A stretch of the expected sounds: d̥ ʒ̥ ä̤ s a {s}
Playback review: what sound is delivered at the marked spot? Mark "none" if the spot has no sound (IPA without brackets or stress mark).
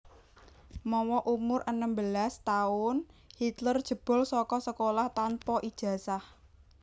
h